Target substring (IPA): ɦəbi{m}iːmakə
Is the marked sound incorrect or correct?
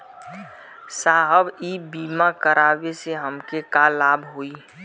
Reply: incorrect